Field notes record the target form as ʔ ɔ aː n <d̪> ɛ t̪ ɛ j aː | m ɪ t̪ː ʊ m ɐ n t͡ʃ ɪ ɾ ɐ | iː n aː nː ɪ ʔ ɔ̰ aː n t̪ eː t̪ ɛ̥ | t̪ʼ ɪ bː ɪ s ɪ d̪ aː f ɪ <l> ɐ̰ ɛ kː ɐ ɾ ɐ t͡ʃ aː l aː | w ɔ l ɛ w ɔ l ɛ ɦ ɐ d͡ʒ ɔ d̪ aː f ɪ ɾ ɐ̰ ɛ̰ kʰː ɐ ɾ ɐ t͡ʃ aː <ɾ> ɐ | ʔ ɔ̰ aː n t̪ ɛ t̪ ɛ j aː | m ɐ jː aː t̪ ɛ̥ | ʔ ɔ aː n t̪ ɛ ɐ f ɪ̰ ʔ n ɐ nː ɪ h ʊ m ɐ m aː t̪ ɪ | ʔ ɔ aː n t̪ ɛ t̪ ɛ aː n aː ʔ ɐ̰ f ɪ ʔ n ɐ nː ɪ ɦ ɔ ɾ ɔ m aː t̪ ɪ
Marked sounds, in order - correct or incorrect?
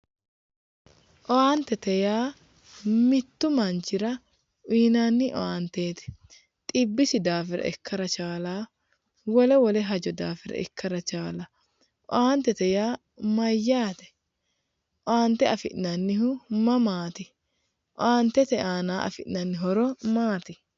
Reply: incorrect, incorrect, incorrect

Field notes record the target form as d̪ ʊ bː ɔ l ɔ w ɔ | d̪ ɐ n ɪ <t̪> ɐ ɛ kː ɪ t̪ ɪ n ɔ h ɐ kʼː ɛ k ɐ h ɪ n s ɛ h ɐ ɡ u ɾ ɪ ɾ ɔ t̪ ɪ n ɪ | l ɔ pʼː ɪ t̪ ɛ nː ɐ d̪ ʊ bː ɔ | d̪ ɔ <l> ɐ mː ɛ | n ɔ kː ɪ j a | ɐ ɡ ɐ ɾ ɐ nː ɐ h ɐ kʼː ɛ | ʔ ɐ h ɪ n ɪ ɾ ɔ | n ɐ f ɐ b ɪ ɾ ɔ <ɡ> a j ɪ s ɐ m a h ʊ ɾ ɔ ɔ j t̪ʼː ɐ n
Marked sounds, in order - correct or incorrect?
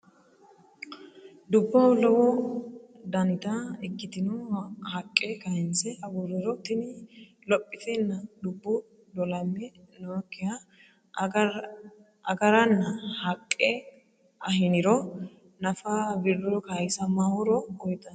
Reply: correct, correct, incorrect

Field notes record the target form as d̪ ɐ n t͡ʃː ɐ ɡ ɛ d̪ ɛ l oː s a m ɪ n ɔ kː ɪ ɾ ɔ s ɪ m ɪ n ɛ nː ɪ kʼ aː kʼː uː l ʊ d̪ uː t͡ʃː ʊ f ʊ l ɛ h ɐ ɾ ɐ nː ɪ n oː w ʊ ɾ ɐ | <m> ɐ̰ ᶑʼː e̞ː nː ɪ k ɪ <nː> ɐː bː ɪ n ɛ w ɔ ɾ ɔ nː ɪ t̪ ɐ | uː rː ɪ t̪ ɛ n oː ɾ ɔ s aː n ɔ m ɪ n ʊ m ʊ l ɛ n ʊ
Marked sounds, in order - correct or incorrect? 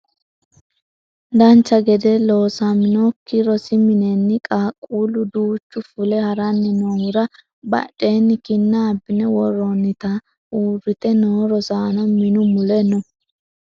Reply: incorrect, correct

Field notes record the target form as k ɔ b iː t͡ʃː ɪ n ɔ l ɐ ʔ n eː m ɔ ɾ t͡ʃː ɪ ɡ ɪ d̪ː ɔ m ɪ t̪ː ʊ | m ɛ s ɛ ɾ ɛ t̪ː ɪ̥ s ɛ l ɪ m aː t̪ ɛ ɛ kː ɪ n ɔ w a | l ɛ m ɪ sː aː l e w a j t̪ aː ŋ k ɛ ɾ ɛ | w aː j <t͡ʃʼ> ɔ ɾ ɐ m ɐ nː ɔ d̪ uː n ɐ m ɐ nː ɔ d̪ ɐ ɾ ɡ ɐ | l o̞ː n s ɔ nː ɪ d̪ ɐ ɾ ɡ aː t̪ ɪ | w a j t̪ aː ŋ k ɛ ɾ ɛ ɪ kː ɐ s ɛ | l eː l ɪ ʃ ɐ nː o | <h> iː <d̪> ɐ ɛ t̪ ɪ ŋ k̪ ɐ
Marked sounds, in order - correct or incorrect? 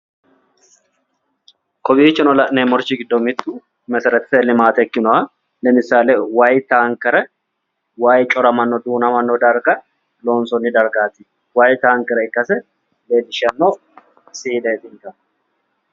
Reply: correct, incorrect, correct

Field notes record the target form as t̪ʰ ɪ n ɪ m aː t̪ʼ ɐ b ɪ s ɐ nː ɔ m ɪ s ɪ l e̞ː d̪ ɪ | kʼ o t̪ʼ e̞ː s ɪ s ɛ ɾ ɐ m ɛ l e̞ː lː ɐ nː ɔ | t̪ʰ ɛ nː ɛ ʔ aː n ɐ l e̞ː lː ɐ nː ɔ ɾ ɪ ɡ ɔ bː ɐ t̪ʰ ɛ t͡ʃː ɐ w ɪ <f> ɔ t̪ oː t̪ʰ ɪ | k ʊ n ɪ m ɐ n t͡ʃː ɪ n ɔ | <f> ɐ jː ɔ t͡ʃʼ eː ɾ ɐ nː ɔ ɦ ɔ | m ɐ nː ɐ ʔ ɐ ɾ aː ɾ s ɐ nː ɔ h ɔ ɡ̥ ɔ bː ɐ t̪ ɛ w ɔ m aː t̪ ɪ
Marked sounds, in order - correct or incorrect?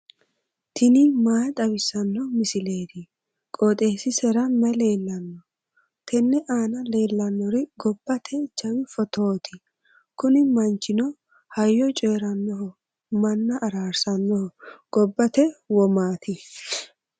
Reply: correct, incorrect

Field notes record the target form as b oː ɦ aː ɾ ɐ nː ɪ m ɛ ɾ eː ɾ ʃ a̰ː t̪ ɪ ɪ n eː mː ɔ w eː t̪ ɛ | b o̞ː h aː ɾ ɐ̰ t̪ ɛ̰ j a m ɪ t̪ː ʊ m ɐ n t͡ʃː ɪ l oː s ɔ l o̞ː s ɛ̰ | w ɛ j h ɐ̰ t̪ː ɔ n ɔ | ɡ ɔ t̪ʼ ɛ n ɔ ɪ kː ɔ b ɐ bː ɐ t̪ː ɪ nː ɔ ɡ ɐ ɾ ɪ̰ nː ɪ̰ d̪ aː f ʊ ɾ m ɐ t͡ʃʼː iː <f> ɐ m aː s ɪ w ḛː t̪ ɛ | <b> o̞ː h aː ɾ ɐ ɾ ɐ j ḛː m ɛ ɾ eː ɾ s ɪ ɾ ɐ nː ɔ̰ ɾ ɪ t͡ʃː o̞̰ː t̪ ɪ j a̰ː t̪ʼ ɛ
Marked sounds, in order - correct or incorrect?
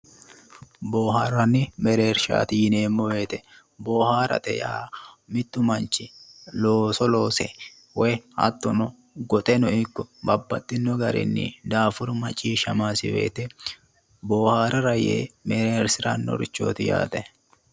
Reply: incorrect, correct

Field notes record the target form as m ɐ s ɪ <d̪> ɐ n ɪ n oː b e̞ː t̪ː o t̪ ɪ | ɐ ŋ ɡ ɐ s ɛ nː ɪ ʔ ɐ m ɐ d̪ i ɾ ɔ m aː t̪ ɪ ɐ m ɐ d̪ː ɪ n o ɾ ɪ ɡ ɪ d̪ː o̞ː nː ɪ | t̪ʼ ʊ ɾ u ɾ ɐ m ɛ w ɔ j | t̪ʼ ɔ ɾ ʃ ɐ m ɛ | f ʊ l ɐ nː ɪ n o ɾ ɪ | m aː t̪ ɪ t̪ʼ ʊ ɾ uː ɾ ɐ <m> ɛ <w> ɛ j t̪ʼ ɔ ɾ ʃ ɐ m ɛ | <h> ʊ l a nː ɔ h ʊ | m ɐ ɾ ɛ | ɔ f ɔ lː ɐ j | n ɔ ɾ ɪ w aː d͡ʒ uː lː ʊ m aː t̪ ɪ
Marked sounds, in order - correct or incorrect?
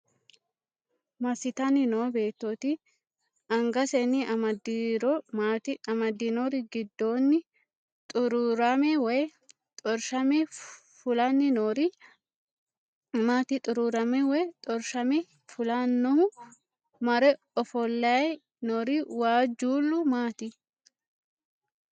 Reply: incorrect, correct, correct, incorrect

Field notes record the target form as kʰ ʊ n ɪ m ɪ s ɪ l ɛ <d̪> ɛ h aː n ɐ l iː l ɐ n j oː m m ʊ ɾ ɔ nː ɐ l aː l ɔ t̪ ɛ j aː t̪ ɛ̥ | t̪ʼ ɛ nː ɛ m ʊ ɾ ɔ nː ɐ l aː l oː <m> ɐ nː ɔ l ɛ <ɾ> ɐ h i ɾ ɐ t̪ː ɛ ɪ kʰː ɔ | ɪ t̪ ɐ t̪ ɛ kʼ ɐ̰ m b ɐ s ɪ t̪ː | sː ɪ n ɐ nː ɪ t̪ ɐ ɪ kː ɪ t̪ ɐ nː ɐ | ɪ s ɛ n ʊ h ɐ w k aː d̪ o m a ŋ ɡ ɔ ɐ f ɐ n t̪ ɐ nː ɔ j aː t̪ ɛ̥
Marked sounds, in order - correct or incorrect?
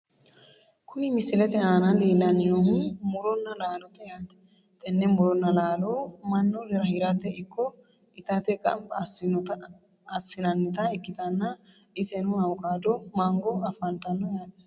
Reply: incorrect, correct, correct

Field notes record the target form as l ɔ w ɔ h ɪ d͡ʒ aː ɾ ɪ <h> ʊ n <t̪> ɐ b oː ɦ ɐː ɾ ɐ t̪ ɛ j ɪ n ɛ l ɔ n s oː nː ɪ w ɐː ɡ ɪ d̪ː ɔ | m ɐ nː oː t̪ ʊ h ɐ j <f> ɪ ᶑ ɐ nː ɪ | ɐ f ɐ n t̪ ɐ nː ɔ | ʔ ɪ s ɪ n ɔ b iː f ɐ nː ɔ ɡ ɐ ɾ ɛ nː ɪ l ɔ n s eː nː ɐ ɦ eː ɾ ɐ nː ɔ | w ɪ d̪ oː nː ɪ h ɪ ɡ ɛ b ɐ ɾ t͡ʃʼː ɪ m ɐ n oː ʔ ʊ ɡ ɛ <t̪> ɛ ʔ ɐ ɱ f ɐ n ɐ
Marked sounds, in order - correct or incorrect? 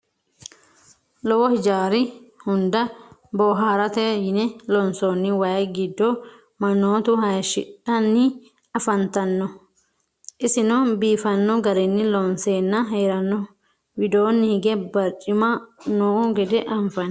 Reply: correct, incorrect, incorrect, incorrect

